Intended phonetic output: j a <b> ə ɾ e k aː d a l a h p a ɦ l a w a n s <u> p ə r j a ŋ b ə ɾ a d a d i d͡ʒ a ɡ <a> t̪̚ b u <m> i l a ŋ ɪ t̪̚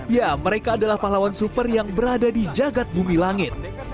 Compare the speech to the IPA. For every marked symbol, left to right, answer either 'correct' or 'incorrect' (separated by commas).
incorrect, correct, correct, correct